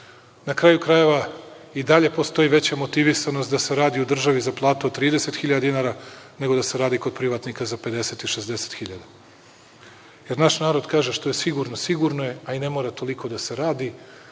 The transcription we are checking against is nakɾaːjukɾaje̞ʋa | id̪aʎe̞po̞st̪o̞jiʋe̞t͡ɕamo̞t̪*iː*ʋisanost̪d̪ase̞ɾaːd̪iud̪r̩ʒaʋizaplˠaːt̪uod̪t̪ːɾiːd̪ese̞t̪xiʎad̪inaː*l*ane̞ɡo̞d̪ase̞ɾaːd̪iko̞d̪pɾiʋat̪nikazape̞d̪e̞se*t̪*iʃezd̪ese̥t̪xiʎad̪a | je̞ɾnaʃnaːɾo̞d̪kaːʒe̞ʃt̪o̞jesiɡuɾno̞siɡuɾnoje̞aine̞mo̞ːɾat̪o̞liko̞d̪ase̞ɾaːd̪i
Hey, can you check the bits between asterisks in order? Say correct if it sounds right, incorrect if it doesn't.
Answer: incorrect, incorrect, correct

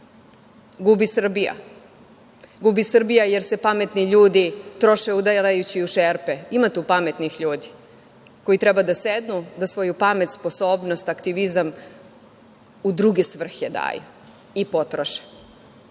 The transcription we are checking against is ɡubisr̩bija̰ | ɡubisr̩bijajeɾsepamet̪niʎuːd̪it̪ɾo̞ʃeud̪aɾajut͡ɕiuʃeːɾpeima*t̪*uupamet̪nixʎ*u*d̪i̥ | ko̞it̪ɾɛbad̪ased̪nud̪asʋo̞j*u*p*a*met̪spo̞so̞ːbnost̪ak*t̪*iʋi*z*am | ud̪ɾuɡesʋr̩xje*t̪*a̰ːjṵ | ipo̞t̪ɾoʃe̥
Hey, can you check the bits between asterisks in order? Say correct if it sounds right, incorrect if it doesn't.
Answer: correct, incorrect, correct, correct, correct, correct, incorrect

